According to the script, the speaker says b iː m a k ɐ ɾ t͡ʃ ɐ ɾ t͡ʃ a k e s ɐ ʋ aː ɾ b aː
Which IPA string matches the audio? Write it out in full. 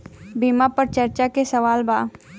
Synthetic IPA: b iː m a p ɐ ɾ t͡ʃ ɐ ɾ t͡ʃ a k e s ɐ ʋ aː l b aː